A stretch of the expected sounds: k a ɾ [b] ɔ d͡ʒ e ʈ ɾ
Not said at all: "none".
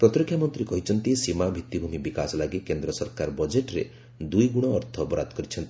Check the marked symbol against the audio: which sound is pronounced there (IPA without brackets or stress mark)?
b